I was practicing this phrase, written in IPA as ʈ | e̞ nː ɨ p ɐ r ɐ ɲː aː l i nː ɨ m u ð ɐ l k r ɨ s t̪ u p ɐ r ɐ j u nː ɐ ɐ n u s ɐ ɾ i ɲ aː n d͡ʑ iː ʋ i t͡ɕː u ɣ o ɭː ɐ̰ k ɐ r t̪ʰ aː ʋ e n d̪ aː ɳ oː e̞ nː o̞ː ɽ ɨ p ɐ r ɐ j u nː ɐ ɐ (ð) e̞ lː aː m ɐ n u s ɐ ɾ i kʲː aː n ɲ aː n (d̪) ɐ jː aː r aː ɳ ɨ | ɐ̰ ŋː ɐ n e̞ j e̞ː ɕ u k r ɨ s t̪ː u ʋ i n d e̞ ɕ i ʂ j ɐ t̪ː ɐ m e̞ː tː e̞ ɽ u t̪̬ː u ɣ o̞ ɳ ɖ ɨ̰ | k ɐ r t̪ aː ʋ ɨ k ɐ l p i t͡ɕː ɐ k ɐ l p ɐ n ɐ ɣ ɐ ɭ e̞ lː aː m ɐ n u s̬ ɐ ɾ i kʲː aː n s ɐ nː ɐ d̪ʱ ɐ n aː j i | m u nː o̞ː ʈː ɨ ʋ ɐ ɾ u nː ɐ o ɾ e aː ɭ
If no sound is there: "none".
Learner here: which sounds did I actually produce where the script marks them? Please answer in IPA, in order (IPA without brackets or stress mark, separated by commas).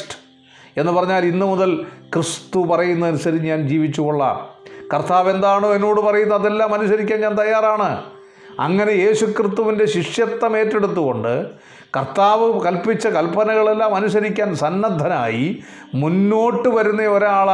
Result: ð, t̪